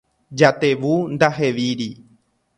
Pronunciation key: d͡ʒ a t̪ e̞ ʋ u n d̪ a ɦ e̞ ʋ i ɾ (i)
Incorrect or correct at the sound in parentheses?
correct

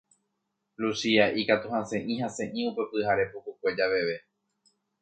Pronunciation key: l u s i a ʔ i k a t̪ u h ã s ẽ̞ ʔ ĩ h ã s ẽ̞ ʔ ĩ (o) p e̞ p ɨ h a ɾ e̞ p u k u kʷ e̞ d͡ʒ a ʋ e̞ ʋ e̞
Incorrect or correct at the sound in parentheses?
incorrect: u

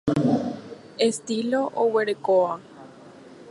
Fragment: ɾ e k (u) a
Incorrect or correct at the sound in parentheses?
incorrect: o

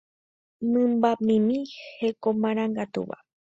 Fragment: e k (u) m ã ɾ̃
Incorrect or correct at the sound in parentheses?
incorrect: o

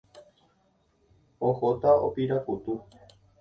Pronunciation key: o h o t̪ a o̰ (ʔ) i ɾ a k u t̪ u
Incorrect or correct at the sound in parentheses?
incorrect: p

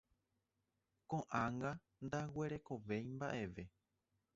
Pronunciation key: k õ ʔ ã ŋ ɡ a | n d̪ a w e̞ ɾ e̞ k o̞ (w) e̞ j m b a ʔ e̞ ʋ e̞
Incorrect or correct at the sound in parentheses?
incorrect: ʋ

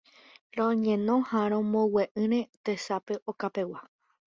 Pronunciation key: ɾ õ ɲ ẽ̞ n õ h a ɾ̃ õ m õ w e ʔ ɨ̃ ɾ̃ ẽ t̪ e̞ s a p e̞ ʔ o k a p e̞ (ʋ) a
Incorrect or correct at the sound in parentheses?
incorrect: w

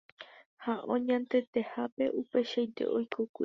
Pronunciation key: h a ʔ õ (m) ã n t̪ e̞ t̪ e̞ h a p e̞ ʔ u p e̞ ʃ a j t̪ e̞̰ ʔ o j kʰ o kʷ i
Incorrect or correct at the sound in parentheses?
incorrect: ɲ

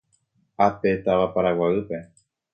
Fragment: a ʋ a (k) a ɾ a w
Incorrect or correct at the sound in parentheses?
incorrect: p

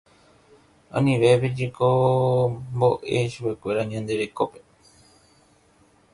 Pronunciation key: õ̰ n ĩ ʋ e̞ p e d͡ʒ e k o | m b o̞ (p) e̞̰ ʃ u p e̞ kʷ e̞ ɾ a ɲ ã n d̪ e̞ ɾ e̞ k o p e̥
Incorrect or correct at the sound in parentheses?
incorrect: ʔ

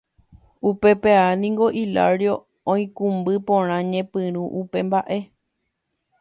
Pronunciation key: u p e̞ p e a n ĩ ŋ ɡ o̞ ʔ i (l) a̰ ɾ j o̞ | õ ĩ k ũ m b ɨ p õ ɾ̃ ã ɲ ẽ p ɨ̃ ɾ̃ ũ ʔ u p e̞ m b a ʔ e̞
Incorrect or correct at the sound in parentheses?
correct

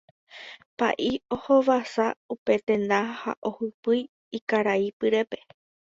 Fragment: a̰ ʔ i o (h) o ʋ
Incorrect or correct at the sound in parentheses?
correct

